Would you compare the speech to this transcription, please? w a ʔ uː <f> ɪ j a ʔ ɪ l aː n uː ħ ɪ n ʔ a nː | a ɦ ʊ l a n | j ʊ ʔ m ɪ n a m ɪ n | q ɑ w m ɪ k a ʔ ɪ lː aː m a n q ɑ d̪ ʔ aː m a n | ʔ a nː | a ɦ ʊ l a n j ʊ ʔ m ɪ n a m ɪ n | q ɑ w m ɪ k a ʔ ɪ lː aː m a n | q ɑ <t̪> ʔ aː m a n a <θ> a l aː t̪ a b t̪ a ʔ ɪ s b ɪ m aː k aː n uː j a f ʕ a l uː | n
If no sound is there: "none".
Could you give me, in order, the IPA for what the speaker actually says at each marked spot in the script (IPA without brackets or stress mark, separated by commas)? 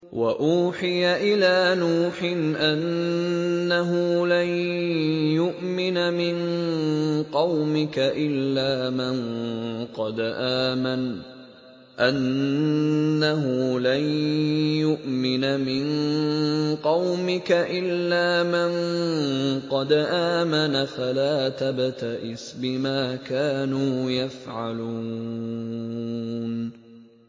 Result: ħ, d̪, f